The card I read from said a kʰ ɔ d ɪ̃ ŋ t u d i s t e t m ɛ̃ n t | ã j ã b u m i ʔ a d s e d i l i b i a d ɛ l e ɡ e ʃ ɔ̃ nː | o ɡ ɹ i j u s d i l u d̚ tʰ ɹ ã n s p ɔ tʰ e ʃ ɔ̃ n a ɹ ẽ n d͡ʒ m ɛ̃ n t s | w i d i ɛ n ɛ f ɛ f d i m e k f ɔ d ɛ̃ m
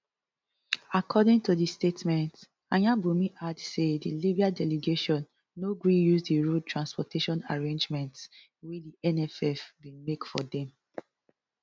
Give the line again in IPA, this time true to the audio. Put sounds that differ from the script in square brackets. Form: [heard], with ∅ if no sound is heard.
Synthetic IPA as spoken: a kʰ ɔ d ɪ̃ ŋ t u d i s t e t m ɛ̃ n t | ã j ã b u m i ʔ a d s e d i l i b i a d ɛ l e ɡ e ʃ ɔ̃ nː | o ɡ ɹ i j u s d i [ɹ] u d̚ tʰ ɹ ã n s p ɔ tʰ e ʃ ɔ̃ n a ɹ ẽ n d͡ʒ m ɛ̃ n t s | w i d i ɛ n ɛ f ɛ f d i m e k f ɔ d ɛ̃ m